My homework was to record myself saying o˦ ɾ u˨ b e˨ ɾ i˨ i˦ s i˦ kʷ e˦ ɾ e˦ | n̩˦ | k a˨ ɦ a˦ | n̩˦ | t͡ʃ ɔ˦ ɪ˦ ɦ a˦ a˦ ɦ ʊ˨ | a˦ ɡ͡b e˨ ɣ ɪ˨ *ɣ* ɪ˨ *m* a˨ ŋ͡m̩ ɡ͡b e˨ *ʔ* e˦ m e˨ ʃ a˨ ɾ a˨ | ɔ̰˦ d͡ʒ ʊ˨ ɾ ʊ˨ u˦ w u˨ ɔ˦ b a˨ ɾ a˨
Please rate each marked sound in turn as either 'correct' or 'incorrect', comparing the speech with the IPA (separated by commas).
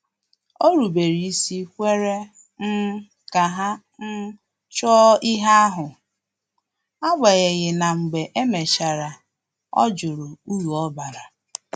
correct, incorrect, correct